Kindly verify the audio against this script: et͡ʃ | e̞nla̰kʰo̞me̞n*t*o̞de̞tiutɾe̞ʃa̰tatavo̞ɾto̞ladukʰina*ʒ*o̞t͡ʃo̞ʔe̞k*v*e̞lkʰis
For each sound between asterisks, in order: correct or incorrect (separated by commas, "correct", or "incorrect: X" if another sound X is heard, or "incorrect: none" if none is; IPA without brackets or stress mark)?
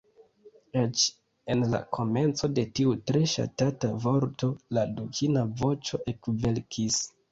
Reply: incorrect: t͡s, incorrect: v, correct